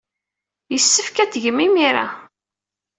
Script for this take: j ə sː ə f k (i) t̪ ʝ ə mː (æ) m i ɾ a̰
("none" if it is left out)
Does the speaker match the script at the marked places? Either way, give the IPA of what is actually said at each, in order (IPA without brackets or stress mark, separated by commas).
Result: æ, i